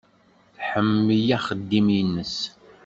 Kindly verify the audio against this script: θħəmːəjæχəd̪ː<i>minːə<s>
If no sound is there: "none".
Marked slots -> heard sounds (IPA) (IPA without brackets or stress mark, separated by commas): i, s